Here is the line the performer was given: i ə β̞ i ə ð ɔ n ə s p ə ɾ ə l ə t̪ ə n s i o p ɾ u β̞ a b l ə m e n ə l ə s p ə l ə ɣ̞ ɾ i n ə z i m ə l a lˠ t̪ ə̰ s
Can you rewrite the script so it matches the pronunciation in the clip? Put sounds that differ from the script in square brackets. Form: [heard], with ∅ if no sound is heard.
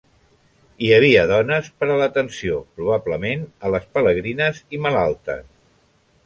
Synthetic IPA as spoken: i ə β̞ i ə ð ɔ n ə s p ə ɾ ə l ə t̪ ə n s i o p ɾ u β̞ a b l ə m e n ə l ə s p ə l ə ɣ̞ ɾ i n ə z i m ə l a lˠ t̪ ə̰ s